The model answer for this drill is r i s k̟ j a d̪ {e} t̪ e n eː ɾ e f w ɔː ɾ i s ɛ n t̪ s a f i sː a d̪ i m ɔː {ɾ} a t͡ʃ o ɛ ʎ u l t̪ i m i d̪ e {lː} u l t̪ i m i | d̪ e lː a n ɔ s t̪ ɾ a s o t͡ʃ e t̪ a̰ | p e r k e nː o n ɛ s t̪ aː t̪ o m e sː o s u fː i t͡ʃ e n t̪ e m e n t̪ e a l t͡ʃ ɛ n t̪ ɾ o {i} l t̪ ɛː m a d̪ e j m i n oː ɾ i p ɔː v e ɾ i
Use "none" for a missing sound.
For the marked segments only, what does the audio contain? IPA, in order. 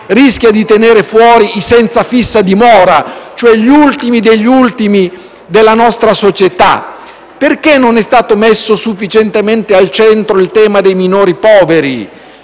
i, ɾ, ʎː, i

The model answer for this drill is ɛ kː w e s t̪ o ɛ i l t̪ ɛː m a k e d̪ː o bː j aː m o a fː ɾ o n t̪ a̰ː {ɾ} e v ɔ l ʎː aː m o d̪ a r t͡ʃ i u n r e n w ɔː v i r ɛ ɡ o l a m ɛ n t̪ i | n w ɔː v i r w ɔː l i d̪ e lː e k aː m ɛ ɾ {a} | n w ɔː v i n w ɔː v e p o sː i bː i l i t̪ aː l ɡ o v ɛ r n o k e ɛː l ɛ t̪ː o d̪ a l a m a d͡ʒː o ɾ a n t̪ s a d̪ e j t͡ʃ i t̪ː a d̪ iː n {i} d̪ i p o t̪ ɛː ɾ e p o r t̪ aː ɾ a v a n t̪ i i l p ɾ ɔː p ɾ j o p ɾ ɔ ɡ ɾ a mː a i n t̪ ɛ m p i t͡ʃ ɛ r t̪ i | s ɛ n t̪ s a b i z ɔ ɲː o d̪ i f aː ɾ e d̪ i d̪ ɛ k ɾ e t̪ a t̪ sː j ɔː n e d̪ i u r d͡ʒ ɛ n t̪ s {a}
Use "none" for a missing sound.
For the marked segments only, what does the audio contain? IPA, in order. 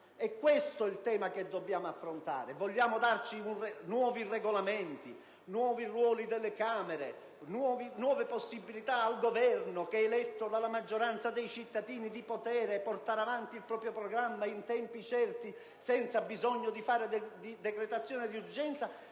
ɾ, e, i, a

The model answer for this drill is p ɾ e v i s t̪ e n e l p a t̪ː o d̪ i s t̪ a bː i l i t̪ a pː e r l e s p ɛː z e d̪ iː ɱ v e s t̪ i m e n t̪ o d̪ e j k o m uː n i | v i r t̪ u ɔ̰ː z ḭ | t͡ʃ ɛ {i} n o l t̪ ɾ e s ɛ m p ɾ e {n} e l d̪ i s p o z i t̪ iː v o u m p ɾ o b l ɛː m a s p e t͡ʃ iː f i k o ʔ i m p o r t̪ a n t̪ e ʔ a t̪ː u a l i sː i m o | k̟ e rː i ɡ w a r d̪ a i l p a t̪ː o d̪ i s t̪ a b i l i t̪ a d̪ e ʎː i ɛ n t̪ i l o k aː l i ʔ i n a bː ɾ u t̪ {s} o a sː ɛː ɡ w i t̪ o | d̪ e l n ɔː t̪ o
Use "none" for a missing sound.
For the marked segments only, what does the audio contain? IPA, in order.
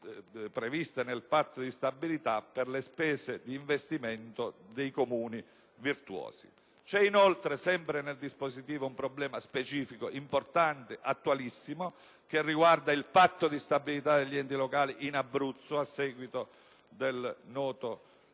i, n, sː

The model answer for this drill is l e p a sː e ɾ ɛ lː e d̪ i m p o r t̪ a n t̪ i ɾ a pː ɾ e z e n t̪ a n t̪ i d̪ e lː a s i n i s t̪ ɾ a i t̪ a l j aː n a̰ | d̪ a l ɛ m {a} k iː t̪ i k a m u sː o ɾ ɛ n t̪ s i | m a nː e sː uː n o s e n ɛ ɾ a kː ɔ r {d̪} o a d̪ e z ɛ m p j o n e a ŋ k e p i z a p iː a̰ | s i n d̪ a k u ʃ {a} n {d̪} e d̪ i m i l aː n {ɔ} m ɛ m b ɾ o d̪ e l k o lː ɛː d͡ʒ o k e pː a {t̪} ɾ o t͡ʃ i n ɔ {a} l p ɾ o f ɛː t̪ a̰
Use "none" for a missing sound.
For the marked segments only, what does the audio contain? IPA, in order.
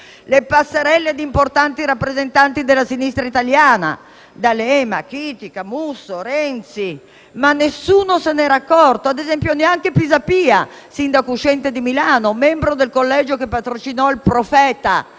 a, t̪, ɛ, t̪, o, t̪, i

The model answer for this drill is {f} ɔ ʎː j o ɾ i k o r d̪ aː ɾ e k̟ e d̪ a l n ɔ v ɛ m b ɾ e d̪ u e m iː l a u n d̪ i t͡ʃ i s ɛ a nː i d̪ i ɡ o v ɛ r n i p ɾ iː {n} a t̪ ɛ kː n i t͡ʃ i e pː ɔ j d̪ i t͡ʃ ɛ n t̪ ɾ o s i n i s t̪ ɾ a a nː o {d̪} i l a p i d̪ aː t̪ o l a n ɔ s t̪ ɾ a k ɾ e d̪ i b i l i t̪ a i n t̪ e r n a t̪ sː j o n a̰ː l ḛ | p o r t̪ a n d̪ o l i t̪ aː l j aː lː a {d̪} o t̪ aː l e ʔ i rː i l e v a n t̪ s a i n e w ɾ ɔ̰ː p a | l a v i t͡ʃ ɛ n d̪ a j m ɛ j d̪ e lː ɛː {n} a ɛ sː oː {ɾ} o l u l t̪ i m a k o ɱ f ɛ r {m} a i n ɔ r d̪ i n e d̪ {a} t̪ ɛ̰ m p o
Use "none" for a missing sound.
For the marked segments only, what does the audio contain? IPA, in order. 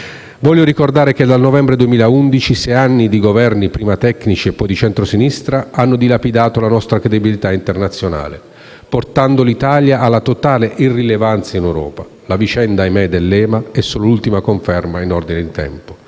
v, m, d̪, t̪, m, l, m, i

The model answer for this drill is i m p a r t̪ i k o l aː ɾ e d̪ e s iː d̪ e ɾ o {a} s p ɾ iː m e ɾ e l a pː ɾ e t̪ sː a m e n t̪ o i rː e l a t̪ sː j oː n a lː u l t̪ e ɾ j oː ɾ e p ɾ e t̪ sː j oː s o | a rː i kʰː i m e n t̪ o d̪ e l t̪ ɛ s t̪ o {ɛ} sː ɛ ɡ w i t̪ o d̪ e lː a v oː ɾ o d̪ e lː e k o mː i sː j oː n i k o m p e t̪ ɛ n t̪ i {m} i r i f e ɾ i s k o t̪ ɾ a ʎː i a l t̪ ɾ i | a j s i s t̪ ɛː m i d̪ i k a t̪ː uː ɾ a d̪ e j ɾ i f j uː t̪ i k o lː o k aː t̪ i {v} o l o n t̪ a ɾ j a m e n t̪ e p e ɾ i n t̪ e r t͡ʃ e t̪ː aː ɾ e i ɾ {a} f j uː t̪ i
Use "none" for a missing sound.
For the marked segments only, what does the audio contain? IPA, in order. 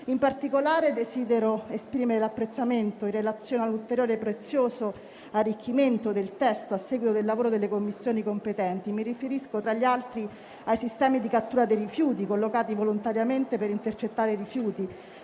e, a, m, v, i

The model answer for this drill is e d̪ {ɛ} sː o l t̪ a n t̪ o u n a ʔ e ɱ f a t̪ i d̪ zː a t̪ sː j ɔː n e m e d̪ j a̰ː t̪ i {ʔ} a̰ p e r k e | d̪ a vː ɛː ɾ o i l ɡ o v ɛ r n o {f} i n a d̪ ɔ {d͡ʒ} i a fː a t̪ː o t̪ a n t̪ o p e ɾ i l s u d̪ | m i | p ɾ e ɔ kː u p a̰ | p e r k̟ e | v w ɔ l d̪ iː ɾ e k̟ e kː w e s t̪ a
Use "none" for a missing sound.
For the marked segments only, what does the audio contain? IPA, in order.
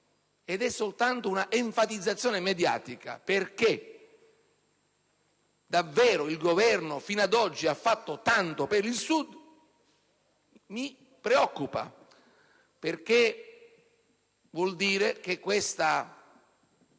ɛ, k, f, d͡ʒː

